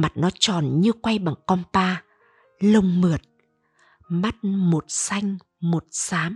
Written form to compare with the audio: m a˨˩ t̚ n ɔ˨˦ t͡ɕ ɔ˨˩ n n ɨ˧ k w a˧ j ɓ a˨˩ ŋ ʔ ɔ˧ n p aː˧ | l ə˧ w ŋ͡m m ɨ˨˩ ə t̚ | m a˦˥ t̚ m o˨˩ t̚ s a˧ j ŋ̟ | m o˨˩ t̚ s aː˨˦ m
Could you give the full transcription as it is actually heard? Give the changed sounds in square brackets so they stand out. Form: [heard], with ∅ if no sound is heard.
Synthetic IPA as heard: m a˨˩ t̚ n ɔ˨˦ t͡ɕ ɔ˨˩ n [ɲ] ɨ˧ k w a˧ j ɓ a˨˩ ŋ [k] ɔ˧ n p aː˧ | l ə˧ w ŋ͡m m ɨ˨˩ ə t̚ | m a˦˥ t̚ m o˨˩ t̚ s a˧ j ŋ̟ | m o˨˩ t̚ s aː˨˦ m